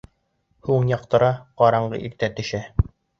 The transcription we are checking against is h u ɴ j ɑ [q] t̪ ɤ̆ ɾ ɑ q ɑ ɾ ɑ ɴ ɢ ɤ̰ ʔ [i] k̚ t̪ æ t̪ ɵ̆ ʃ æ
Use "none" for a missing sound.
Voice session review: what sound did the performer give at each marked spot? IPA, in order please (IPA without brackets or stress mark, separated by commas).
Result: q, i